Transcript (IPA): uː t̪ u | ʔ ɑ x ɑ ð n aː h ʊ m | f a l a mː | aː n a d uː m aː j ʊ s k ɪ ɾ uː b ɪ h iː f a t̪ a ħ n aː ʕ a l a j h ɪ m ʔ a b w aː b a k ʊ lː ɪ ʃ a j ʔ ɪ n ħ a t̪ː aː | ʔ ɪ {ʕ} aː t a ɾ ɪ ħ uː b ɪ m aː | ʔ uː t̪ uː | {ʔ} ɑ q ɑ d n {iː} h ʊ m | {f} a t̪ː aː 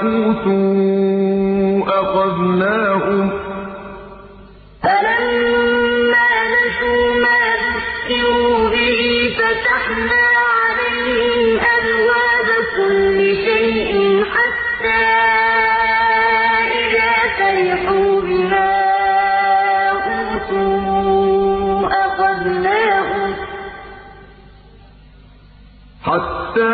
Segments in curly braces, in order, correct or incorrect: incorrect: ð, correct, incorrect: aː, incorrect: ħ

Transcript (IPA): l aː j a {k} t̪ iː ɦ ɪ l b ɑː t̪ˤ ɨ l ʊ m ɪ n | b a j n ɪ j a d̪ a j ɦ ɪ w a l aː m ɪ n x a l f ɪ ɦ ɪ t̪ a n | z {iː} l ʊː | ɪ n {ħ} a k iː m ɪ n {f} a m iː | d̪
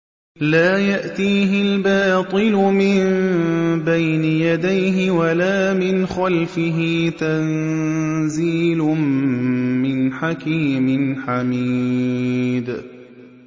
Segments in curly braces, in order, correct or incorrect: incorrect: ʔ, correct, correct, incorrect: ħ

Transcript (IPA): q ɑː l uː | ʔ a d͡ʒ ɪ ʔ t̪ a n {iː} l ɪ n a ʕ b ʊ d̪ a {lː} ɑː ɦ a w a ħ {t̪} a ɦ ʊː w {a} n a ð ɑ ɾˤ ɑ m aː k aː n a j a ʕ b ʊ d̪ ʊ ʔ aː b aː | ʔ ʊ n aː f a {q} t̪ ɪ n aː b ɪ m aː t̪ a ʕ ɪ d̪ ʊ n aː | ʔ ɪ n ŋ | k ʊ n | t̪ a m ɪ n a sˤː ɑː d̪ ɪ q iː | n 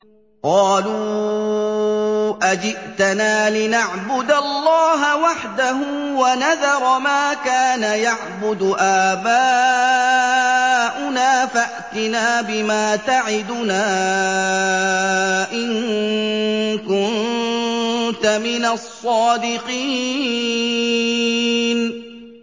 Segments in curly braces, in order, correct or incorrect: incorrect: aː, correct, incorrect: d̪, correct, incorrect: ʔ

